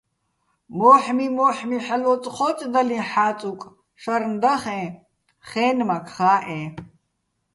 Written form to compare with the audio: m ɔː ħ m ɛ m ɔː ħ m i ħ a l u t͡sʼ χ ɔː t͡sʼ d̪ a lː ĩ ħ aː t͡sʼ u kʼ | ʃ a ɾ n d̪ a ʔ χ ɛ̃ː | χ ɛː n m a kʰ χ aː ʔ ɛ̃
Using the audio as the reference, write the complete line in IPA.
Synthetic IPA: m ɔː ħ m i m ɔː ħ m i ħ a l ɔ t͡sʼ χ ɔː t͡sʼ d̪ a l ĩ ħ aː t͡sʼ u kʼ | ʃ a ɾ n d̪ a χ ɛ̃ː | χ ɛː n m a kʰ χ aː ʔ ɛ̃